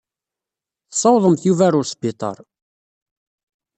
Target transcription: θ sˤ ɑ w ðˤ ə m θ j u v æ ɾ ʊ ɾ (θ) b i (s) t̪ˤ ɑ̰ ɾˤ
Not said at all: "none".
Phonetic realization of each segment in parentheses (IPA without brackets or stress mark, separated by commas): s, none